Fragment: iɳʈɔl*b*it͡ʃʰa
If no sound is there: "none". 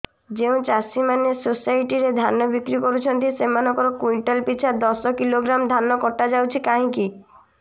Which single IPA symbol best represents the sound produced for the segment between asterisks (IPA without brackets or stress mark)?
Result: p